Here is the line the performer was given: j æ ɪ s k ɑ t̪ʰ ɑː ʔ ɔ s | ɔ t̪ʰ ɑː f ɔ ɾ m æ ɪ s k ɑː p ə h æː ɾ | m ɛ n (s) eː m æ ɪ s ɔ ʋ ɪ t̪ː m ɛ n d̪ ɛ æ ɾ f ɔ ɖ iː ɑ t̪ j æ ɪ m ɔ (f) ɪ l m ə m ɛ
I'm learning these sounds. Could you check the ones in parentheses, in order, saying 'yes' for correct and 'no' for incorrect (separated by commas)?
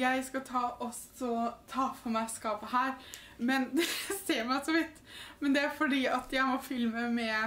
yes, yes